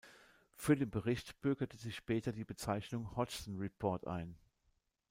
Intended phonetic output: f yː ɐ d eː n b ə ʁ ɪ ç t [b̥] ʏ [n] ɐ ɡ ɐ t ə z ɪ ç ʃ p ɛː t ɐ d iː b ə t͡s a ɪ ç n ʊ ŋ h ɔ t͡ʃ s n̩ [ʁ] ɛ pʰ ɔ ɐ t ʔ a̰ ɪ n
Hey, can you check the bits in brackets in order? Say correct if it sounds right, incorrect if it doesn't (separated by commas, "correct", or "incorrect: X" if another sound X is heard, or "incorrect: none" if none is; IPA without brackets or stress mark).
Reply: correct, incorrect: none, correct